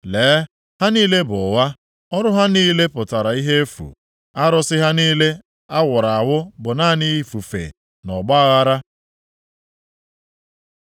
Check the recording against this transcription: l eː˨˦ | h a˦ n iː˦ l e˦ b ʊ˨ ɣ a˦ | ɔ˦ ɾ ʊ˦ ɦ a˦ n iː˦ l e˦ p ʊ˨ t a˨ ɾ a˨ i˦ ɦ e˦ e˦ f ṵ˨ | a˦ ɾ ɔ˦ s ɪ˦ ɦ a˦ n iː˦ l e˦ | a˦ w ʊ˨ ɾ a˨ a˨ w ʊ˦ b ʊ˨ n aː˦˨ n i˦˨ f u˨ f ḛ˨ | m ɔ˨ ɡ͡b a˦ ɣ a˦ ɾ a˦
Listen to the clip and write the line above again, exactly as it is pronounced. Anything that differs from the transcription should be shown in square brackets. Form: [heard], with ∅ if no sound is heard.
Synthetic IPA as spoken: l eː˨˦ | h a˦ n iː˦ l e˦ b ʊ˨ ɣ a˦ | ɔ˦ ɾ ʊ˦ ɦ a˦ n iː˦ l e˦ p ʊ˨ t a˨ ɾ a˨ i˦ ɦ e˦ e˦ f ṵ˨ | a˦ ɾ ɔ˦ s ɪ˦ ɦ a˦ n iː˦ l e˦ | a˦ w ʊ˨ ɾ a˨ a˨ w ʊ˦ b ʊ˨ n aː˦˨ n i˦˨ f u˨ f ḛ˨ | [n] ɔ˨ ɡ͡b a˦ ɣ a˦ ɾ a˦